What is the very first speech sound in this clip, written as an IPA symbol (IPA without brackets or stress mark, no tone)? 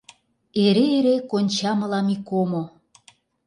e